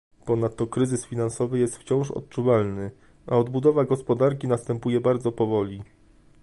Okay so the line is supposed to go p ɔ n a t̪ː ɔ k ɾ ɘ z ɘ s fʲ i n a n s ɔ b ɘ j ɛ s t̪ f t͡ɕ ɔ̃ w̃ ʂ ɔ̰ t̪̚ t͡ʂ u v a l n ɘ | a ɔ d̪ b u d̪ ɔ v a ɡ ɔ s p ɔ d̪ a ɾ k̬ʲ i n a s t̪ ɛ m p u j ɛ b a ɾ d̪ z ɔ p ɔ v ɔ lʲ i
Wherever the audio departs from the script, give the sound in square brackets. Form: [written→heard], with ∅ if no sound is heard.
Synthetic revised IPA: p ɔ n a t̪ː ɔ k ɾ ɘ z ɘ s fʲ i n a n s ɔ [b→v] ɘ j ɛ s t̪ f t͡ɕ ɔ̃ w̃ ʂ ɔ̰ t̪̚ t͡ʂ u v a l n ɘ | a ɔ d̪ b u d̪ ɔ v a ɡ ɔ s p ɔ d̪ a ɾ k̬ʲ i n a s t̪ ɛ m p u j ɛ b a ɾ d̪ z ɔ p ɔ v ɔ lʲ i